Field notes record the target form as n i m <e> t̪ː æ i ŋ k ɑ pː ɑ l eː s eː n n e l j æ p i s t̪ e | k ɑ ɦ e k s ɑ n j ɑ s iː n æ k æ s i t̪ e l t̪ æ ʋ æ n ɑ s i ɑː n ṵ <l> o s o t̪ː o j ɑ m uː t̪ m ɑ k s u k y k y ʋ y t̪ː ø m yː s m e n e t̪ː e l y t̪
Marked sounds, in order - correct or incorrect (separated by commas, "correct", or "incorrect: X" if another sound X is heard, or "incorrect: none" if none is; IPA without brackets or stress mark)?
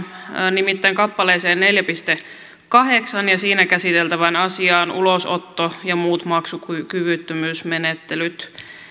incorrect: i, correct